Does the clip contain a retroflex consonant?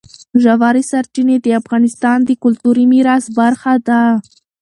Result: no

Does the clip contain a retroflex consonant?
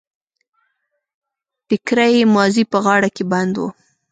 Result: yes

